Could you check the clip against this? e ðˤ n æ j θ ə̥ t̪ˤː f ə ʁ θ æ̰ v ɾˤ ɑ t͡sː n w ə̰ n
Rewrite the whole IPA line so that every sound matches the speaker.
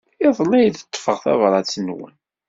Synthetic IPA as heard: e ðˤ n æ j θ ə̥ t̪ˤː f ə ʁ θ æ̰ v ɾˤ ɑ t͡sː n w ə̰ n